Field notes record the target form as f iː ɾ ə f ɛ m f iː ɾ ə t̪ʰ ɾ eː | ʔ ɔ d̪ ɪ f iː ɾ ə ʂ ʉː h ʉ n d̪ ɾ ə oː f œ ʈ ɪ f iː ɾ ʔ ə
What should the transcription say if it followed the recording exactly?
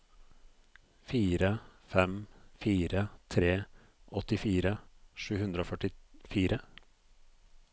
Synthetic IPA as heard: f iː ɾ ə f ɛ m f iː ɾ ə t̪ʰ ɾ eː | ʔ ɔ t̪ ɪ f iː ɾ ə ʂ ʉː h ʉ n d̪ ɾ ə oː f œ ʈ ɪ f iː ɾ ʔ ə